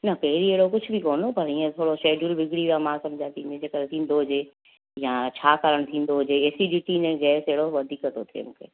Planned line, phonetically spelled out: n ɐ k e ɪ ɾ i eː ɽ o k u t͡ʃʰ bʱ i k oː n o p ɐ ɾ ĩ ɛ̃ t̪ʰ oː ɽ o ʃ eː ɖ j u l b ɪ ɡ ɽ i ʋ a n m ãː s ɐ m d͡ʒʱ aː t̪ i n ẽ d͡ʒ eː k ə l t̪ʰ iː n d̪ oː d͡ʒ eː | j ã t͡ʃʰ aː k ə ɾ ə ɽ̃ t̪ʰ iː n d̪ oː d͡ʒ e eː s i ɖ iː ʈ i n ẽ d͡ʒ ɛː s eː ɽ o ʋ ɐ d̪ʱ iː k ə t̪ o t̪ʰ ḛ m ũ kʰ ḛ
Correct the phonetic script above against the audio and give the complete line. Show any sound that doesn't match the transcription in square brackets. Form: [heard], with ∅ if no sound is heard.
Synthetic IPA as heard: n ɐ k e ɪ ɾ i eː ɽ o k [ʊ] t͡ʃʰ bʱ i k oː n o p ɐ ɾ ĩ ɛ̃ t̪ʰ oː ɽ o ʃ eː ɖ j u l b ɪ ɡ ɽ i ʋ a [∅] m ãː s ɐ m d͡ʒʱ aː t̪ i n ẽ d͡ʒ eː k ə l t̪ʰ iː n d̪ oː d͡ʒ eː | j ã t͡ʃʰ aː k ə ɾ ə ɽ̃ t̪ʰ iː n d̪ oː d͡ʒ e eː s i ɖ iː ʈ i n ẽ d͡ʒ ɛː s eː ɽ o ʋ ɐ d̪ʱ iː k ə t̪ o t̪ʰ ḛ m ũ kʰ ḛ